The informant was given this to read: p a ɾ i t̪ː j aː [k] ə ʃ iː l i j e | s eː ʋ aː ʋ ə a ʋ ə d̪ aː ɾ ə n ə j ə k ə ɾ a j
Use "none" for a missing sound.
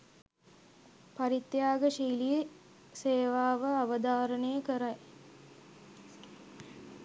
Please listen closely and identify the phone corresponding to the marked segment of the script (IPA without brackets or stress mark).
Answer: ɡ